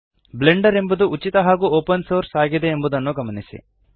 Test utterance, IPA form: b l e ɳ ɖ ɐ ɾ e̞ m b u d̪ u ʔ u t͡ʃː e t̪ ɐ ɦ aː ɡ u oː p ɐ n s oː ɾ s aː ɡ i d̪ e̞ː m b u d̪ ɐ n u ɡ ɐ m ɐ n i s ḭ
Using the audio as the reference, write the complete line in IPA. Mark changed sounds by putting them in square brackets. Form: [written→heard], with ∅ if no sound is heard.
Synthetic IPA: b l e ɳ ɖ ɐ ɾ e̞ m b u d̪ u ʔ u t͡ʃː [e→i] t̪ ɐ ɦ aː ɡ u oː p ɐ n s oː ɾ s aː ɡ i d̪ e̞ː m b u d̪ ɐ [n→nː] u ɡ ɐ m ɐ n i s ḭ